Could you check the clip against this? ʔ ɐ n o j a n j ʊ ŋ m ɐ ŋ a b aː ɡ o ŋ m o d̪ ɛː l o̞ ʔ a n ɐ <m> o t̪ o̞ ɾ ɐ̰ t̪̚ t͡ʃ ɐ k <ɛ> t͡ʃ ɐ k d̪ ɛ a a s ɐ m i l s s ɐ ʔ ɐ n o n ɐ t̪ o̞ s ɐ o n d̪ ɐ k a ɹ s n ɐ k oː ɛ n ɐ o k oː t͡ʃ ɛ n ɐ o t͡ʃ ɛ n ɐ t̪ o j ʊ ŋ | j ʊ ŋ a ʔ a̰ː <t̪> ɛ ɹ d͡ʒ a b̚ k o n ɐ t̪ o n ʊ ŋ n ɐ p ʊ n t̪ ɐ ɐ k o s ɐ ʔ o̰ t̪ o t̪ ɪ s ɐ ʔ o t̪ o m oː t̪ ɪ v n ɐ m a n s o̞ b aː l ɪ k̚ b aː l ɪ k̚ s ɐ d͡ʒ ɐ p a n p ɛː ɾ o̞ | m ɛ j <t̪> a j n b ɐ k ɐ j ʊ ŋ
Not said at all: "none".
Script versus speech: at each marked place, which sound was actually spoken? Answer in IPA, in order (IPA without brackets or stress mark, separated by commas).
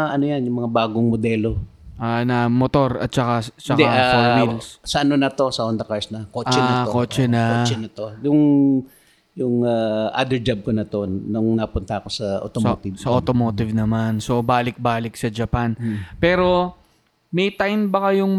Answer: m, a, d̪, t̪